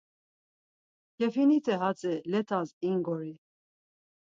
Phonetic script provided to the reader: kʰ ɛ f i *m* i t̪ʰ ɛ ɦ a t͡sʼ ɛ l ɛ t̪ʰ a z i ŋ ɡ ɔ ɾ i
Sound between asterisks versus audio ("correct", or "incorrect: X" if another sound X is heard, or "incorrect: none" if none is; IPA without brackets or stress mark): incorrect: n